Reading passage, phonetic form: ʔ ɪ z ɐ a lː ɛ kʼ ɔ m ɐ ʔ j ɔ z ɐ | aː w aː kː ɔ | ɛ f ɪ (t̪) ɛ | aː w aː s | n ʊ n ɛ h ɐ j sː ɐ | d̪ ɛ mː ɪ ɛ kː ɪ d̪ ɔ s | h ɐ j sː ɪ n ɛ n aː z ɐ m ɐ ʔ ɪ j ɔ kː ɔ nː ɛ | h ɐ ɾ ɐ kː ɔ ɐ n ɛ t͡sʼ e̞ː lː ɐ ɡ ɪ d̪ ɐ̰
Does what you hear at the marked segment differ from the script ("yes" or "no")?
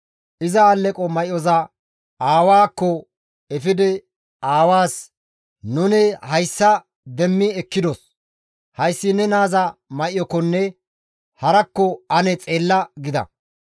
yes